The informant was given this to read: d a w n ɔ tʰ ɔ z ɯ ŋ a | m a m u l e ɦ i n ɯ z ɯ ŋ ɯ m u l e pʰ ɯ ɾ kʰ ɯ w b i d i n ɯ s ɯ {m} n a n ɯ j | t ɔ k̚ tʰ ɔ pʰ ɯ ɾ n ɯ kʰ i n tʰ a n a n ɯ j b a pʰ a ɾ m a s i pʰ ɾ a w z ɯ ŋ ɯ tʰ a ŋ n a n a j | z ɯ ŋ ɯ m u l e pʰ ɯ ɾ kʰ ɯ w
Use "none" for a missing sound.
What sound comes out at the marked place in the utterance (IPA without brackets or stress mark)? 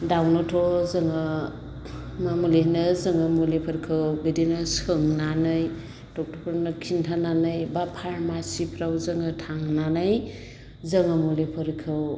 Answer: ŋ